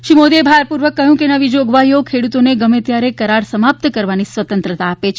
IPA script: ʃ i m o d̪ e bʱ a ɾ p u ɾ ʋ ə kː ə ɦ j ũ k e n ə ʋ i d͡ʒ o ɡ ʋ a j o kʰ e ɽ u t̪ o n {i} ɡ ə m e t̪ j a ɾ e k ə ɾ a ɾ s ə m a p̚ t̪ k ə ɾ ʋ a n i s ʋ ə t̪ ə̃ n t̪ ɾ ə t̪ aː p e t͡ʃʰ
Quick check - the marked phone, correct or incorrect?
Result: incorrect